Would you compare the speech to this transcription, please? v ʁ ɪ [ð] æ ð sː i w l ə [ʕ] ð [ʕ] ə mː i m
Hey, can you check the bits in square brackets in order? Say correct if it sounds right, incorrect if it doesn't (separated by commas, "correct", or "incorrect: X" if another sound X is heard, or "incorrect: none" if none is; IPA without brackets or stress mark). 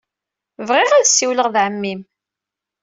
incorrect: ʁ, incorrect: ʁ, correct